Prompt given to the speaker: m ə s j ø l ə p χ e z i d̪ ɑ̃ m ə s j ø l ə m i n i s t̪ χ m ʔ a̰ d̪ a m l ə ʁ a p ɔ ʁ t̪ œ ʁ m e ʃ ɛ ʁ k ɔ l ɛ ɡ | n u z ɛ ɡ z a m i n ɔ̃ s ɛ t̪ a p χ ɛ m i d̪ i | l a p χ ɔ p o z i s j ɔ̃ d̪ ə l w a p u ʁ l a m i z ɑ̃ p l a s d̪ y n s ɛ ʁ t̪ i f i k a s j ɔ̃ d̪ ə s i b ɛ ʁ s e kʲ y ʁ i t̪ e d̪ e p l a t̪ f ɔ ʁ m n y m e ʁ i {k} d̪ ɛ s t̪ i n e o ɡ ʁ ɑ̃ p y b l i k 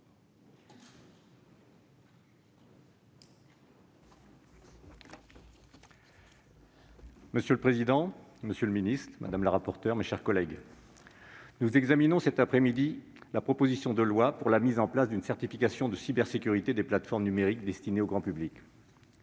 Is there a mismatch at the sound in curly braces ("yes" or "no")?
no